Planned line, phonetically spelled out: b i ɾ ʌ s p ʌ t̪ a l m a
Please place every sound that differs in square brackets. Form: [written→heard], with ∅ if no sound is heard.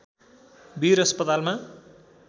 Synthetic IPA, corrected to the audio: b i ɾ ʌ s p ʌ t̪ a l m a